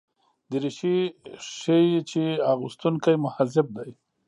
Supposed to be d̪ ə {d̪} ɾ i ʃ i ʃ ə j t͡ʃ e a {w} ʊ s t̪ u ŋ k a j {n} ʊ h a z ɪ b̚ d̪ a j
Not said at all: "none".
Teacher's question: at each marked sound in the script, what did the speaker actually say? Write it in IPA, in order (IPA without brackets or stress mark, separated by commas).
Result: none, ɣ, m